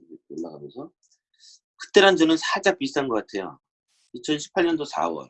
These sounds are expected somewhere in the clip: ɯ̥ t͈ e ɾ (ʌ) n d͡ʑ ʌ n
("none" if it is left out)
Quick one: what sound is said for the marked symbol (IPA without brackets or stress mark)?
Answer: a